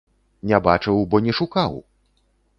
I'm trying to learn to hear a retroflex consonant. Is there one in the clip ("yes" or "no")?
yes